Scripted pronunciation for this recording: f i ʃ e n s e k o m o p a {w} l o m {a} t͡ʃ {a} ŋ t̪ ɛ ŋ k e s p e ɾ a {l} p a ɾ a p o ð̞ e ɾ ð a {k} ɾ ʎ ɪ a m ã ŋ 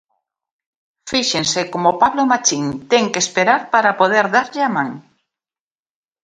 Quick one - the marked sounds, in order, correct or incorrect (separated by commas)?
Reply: incorrect, correct, incorrect, incorrect, incorrect